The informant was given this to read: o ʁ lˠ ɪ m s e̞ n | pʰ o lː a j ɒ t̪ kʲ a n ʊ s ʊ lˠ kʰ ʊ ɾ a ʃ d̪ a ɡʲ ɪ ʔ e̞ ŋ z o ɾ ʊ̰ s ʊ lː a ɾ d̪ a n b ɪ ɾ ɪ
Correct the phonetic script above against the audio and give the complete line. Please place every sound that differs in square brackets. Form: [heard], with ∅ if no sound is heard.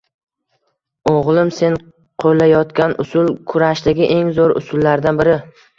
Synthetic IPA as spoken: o ʁ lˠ ɪ m s e̞ n | [qʰ] o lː a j ɒ t̪ kʲ a n ʊ s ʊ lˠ kʰ ʊ ɾ a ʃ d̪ a ɡʲ ɪ ʔ e̞ ŋ z o ɾ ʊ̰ s ʊ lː a ɾ d̪ a n b ɪ ɾ ɪ